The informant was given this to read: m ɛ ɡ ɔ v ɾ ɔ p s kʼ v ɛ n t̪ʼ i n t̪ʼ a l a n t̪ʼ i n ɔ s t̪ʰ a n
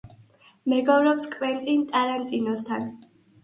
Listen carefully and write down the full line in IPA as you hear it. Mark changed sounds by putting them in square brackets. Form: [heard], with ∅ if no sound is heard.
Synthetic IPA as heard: m ɛ ɡ ɔ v ɾ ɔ p s kʼ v ɛ n t̪ʼ i n t̪ʼ a [ɾ] a n t̪ʼ i n ɔ s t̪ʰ a n